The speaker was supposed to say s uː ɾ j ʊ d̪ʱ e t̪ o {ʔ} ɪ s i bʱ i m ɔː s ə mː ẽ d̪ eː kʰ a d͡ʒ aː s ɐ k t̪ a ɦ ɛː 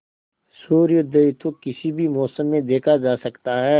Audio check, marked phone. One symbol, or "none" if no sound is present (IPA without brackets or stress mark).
k